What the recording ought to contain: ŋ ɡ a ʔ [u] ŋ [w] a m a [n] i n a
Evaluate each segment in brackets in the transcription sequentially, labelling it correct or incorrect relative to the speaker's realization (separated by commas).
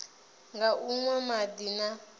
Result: correct, correct, incorrect